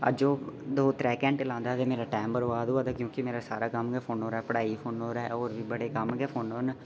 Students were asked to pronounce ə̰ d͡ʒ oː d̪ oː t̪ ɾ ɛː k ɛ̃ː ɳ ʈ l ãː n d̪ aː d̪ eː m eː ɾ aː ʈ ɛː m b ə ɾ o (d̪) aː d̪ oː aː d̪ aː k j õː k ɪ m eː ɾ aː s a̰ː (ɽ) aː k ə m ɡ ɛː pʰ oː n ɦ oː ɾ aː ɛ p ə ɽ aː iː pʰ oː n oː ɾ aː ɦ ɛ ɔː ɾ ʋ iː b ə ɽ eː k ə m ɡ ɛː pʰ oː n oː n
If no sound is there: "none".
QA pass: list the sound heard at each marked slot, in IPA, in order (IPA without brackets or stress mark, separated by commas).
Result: none, ɾ